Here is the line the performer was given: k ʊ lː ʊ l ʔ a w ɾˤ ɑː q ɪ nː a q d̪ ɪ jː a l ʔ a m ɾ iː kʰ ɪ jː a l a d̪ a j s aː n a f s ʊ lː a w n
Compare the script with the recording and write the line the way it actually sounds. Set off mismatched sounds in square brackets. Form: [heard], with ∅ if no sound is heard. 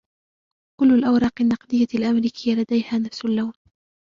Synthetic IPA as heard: k ʊ lː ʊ l ʔ a w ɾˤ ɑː q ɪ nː [ɑ] q d̪ ɪ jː a l ʔ a m ɾ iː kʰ ɪ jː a l a d̪ a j [h] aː n a f s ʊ lː a w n